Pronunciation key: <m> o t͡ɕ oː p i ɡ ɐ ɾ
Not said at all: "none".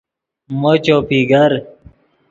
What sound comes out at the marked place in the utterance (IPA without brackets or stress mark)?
m